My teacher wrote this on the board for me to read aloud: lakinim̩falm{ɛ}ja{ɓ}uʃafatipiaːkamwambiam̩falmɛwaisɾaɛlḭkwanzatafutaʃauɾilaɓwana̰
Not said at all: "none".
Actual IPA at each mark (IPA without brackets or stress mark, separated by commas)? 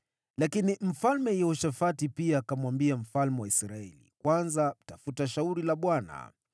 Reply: ɛ, none